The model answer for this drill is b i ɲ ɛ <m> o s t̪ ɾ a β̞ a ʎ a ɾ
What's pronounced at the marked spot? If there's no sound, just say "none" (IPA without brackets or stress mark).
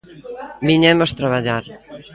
m